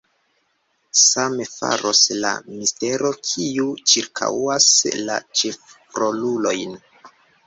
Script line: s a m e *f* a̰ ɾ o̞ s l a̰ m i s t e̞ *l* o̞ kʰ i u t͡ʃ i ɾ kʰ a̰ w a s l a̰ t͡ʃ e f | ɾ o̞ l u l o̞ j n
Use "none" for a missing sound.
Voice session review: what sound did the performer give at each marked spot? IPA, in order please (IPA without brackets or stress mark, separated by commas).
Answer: f, ɾ